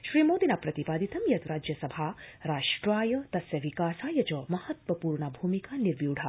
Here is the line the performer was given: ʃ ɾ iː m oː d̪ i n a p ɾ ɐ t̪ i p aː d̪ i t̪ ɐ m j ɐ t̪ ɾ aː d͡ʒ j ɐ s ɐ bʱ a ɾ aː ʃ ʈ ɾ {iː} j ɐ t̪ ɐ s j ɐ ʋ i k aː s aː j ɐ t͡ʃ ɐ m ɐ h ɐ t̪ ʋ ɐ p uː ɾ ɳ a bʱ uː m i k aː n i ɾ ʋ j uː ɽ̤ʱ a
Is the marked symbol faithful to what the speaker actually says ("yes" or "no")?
no